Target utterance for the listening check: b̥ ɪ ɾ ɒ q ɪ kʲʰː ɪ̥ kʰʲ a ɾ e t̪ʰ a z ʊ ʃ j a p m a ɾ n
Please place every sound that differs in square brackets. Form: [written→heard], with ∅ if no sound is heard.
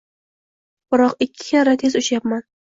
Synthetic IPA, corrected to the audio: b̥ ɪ ɾ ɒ q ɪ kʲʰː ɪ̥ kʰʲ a ɾ [e→a] t̪ʰ [a→e] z ʊ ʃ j a p m a [ɾ→∅] n